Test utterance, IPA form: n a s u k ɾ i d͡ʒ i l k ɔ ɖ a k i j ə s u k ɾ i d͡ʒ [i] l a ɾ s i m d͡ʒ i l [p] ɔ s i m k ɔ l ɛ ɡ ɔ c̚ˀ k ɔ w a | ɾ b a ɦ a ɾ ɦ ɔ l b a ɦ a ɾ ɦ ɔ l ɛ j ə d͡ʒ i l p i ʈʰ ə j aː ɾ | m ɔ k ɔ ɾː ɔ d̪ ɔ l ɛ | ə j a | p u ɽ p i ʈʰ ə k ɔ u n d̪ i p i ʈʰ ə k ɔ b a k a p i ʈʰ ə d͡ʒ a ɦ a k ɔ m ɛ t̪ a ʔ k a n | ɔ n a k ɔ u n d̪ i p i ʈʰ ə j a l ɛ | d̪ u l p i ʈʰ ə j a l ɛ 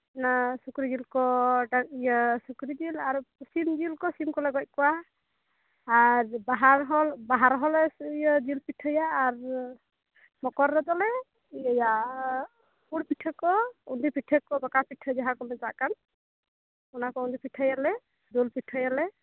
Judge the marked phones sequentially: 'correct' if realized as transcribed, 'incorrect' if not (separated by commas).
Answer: correct, incorrect